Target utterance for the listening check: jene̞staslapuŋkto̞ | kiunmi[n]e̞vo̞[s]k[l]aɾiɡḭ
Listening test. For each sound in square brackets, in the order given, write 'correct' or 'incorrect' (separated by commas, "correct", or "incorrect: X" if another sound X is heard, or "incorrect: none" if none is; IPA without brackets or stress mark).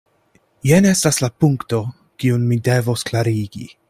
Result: incorrect: d, correct, correct